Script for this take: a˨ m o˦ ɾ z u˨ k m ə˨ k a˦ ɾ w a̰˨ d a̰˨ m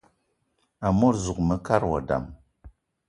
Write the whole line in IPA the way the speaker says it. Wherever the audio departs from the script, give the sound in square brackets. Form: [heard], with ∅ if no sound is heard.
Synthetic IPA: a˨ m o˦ ɾ z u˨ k m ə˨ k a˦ ɾ w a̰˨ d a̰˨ m